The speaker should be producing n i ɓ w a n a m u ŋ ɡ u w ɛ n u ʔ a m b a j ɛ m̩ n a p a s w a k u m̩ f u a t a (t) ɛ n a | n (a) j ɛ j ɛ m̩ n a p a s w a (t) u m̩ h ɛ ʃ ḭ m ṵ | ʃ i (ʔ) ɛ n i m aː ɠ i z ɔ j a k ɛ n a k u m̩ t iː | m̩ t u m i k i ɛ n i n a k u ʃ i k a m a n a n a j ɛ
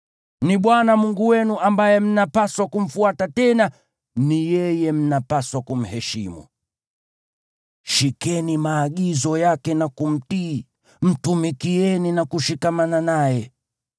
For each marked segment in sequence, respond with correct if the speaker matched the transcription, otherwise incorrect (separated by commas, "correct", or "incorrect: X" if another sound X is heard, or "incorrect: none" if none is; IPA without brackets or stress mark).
correct, incorrect: i, incorrect: k, incorrect: k